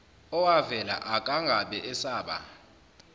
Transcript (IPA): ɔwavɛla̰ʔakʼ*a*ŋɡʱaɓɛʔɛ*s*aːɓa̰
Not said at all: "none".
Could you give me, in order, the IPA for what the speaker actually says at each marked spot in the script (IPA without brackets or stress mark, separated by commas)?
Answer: a, s